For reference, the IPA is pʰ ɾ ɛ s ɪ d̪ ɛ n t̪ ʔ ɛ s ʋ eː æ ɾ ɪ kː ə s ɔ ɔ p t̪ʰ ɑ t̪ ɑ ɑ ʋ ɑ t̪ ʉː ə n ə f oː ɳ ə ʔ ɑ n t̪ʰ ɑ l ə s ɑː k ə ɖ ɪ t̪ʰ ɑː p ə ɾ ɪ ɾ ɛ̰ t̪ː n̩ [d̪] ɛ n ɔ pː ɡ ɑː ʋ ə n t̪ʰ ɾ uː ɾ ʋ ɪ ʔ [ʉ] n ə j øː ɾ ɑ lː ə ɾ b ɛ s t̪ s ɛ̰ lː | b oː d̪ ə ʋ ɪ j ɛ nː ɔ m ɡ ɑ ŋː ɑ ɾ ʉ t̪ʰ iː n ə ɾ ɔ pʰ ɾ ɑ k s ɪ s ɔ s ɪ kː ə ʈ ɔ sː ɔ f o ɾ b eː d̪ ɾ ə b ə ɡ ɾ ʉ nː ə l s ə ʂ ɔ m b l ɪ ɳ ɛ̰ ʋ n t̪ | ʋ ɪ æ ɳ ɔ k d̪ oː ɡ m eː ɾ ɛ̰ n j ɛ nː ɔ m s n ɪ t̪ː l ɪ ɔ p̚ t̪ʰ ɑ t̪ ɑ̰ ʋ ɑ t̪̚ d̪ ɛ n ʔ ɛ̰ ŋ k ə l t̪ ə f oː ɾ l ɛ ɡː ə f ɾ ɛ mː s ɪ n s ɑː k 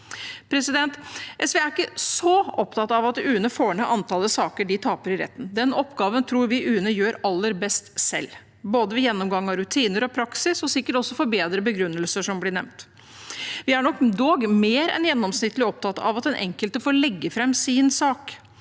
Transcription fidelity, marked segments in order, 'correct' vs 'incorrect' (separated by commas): correct, incorrect